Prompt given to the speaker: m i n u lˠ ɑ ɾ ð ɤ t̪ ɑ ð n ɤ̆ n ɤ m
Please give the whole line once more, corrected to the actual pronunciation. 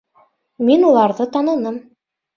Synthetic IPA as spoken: m i n u lˠ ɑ ɾ ð ɤ t̪ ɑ n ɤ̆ n ɤ m